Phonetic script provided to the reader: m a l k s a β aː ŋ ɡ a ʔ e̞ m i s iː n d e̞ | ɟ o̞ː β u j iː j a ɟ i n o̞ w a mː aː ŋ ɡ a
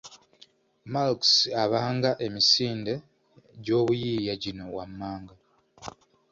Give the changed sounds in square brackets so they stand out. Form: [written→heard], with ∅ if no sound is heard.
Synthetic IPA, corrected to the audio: m a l k s a β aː ŋ ɡ a ʔ e̞ m i s iː n d e̞ | ɟ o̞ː β u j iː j a ɟ i n o̞ w a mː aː ŋ ɡ a